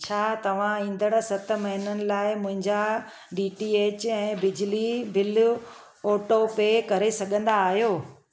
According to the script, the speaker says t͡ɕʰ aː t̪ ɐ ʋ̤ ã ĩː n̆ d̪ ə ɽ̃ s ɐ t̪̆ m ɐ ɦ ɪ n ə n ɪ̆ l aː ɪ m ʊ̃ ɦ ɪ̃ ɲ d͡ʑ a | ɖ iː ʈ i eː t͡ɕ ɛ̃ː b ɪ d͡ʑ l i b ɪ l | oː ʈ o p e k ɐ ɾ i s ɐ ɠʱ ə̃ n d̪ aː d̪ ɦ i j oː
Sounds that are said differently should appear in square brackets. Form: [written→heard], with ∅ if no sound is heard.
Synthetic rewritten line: t͡ɕʰ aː t̪ ɐ ʋ̤ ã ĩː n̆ d̪ ə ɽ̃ s ɐ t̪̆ m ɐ ɦ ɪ n ə n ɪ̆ l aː ɪ m ʊ̃ ɦ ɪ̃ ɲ d͡ʑ a | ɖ iː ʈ i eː t͡ɕ ɛ̃ː b ɪ d͡ʑ l i b ɪ l | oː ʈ o p e k ɐ ɾ [i→e] s ɐ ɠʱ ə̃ n d̪ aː [d̪→∅] ɦ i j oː